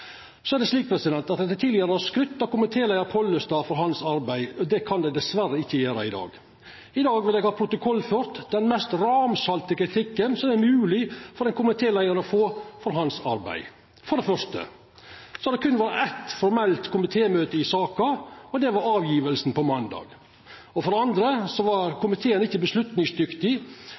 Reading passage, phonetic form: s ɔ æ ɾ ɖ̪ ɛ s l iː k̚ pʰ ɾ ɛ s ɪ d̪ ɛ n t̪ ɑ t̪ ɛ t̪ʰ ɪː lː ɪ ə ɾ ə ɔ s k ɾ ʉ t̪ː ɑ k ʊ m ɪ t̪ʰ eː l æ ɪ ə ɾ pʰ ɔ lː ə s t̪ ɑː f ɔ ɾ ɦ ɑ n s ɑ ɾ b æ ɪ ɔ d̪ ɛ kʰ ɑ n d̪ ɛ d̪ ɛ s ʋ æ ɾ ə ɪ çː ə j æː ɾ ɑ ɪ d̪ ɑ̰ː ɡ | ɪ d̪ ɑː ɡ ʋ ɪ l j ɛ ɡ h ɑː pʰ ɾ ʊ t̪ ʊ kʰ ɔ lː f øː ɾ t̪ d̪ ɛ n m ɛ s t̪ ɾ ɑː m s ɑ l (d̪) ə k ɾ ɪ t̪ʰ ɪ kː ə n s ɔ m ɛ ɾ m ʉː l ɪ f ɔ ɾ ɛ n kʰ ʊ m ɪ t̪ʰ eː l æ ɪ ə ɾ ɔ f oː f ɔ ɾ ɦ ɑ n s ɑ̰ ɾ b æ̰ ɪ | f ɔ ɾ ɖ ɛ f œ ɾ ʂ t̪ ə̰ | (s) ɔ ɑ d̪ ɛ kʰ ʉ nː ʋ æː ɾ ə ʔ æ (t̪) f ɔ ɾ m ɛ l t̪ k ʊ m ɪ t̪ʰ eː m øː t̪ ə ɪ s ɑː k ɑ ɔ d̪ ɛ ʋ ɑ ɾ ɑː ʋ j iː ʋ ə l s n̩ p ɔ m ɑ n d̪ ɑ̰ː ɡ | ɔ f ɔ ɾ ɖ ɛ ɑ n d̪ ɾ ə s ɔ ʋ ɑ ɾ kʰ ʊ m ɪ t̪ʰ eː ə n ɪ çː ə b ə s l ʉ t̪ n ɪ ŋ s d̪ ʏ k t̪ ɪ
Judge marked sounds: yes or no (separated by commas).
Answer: no, yes, yes